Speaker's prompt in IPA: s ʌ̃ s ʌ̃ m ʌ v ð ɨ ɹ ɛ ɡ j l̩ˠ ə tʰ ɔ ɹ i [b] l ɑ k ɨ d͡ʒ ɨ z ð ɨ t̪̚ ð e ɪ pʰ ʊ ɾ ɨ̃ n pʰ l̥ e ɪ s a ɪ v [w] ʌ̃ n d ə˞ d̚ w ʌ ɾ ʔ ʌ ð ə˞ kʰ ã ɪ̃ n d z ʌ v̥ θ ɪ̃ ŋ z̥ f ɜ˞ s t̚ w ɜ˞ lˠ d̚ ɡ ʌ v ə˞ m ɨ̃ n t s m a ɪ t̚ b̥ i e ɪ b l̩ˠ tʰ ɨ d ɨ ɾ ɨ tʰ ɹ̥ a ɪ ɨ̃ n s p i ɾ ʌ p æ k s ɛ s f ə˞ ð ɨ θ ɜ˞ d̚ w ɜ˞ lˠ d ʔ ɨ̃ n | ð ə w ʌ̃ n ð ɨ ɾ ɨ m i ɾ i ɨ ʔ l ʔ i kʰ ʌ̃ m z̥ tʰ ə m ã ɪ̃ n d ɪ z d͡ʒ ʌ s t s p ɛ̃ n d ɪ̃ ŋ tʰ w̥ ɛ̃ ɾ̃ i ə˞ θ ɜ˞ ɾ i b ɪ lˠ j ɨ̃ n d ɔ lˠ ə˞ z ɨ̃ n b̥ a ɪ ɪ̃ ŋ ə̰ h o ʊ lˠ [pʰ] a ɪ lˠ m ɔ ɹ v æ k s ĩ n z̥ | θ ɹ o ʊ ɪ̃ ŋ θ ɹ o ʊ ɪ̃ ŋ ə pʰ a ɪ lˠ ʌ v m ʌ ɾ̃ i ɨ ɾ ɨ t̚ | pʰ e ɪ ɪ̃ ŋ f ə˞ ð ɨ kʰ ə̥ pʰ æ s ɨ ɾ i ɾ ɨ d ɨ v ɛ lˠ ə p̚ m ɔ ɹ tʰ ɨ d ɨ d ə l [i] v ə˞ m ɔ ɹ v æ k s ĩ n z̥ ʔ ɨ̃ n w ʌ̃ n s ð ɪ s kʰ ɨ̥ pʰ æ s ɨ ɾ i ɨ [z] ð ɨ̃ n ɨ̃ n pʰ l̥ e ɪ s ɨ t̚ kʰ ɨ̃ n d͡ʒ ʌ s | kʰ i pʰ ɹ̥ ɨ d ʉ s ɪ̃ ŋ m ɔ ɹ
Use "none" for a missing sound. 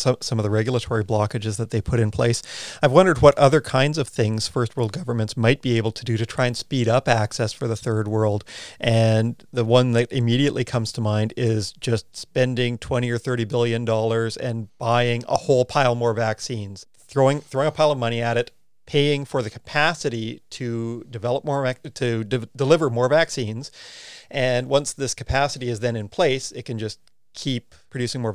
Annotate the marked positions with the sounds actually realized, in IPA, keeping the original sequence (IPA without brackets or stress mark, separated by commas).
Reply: b, w, pʰ, ɪ, z